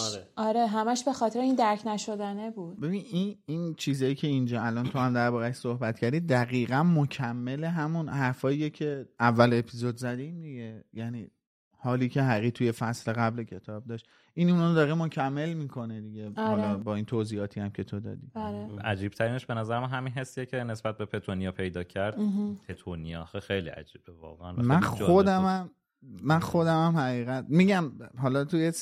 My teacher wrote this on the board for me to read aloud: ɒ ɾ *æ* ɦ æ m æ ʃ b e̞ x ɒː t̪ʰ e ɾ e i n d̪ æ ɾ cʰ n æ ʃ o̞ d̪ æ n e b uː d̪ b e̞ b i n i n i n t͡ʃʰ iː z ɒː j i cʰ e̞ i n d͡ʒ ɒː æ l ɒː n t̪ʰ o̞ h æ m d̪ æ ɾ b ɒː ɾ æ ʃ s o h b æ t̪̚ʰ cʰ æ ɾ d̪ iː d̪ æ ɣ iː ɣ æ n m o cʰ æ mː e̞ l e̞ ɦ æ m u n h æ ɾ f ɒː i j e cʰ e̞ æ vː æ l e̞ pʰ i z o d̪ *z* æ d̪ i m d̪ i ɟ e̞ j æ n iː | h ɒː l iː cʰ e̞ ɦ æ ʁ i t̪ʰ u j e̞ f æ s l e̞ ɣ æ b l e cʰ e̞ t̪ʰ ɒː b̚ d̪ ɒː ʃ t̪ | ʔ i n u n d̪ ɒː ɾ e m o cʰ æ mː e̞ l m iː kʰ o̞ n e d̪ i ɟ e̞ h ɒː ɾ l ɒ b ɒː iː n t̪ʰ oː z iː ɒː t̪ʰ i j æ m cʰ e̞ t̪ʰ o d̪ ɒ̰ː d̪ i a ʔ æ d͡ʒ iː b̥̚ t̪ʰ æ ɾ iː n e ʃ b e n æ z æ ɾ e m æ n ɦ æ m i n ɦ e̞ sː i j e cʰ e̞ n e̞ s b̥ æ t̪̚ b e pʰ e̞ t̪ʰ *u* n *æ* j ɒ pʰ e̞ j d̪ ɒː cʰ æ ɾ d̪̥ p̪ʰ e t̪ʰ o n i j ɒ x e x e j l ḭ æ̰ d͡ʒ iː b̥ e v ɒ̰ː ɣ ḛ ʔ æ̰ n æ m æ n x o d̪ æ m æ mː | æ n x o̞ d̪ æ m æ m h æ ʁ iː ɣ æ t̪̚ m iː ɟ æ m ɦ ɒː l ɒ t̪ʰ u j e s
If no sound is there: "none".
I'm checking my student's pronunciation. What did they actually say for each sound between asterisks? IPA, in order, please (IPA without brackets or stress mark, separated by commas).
e, z, o, i